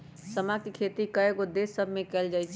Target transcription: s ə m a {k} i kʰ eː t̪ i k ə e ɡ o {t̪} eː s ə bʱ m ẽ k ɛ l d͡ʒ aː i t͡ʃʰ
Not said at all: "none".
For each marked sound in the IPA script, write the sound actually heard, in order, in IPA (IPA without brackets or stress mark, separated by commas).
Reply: k, d̪